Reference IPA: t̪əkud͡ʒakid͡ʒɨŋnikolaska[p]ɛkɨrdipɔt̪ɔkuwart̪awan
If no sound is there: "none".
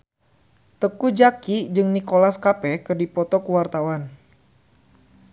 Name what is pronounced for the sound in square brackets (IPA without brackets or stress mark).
p